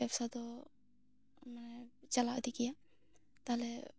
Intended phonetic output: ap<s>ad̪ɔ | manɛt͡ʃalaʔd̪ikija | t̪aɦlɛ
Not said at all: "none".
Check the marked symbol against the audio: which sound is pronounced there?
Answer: s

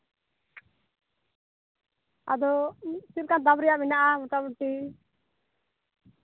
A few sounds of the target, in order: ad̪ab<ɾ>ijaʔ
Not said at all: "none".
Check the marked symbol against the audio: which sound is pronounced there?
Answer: ɾ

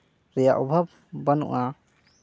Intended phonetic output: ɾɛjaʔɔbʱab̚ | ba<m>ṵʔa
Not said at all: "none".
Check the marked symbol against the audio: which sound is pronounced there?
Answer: n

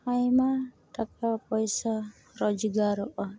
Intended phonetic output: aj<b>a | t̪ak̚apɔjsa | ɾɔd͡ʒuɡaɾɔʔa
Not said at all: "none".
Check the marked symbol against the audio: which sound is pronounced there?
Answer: m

